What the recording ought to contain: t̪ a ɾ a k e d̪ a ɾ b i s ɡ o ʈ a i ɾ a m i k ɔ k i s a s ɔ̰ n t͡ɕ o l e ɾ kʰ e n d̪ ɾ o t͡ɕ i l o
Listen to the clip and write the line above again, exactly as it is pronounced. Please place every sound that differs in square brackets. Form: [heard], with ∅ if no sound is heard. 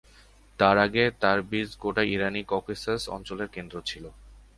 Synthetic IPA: t̪ a ɾ a [ɡ] e [t̪] a ɾ b i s ɡ o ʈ a i ɾ a [n] i k ɔ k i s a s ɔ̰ n t͡ɕ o l e ɾ [k] e n d̪ ɾ o [t͡ɕʰ] i l o